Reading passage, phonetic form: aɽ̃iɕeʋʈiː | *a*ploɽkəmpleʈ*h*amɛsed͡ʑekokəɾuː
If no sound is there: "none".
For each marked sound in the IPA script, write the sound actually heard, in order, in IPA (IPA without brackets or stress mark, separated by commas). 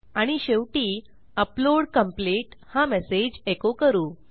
ə, h